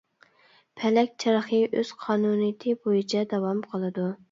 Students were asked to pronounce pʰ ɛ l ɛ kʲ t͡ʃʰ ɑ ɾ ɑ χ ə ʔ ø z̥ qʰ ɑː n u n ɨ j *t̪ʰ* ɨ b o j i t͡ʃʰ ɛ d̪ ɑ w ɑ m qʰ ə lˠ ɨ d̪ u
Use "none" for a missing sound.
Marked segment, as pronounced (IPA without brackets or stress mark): t̪ʰ